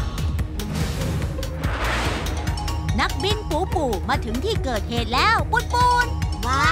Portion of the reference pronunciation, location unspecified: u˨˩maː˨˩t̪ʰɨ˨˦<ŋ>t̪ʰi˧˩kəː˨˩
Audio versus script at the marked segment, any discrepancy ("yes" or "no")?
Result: no